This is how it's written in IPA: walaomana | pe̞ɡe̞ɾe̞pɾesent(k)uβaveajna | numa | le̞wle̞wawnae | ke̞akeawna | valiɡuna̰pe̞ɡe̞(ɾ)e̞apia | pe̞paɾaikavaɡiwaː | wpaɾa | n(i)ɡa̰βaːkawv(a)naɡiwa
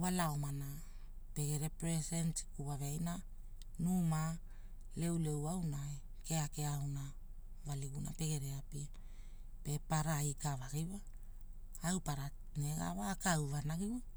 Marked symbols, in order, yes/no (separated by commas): yes, yes, no, yes